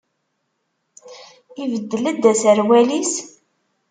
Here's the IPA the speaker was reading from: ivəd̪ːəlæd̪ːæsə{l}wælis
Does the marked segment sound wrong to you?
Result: yes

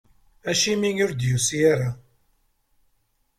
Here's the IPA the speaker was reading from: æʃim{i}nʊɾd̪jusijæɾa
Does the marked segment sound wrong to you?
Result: no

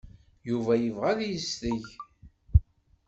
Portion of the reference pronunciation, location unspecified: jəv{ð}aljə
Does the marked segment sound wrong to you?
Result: yes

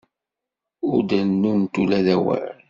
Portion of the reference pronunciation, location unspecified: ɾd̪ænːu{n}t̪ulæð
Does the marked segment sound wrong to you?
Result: no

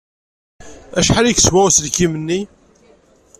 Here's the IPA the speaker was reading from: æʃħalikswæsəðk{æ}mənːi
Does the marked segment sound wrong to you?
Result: yes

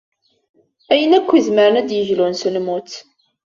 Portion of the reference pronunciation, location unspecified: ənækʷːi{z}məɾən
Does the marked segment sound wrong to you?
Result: no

